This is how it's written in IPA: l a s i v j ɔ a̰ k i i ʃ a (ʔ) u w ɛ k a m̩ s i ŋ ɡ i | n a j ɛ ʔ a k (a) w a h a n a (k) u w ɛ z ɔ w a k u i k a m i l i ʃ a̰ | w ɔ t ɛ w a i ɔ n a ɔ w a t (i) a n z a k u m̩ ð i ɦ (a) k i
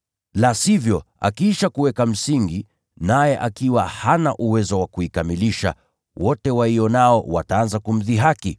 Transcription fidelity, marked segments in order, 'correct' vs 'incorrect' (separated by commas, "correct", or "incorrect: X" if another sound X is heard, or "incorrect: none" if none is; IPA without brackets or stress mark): incorrect: k, incorrect: i, incorrect: ʔ, incorrect: a, correct